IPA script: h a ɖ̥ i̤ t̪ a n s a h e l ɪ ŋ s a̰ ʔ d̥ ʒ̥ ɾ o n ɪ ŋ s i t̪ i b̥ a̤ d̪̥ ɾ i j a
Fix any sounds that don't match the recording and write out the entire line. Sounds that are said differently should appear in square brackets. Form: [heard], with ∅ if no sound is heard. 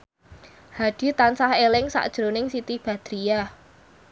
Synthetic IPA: h a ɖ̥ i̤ t̪ a n s a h e l ɪ ŋ s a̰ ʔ d̥ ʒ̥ ɾ o n ɪ ŋ s i t̪ i b̥ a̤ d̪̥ ɾ i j a